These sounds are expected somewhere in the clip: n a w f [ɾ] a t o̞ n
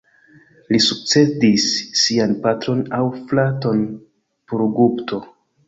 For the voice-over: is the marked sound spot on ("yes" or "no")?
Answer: no